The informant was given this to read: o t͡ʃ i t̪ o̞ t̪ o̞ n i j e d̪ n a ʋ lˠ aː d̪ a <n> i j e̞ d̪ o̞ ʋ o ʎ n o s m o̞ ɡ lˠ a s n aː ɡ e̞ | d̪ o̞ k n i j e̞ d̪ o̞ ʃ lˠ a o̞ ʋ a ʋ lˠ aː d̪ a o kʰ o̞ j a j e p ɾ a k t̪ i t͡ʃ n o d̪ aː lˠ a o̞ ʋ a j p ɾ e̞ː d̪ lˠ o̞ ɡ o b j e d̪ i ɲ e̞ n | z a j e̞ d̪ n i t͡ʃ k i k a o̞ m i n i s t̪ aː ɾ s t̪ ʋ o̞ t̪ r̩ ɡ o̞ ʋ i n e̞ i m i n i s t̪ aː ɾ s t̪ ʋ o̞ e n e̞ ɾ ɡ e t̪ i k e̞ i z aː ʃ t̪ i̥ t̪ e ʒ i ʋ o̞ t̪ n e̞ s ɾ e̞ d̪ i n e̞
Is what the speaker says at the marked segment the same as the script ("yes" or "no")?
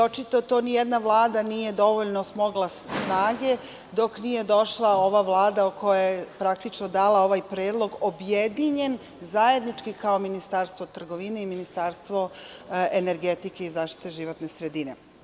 yes